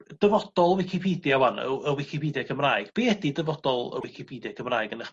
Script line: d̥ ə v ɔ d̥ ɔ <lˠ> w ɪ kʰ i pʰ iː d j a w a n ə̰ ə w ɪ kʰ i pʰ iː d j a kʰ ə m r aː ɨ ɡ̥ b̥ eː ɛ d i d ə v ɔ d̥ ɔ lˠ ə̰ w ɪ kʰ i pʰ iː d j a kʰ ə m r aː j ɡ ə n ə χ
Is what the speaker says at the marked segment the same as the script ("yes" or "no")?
yes